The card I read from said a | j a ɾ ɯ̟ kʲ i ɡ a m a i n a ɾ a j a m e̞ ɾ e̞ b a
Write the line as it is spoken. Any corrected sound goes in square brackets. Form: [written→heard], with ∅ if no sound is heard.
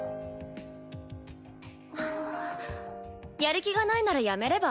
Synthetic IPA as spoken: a | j a ɾ ɯ̟ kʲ i ɡ a [m→n] a i n a ɾ a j a m e̞ ɾ e̞ b a